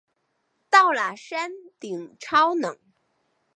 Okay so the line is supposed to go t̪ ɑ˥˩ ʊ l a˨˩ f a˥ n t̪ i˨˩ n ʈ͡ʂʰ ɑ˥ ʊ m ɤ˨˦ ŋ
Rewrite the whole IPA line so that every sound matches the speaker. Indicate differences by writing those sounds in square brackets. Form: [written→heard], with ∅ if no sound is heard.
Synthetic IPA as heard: t̪ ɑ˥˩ ʊ l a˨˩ [f→ʂ] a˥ n t̪ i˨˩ [n→ŋ] ʈ͡ʂʰ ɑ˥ ʊ [m→n] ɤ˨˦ ŋ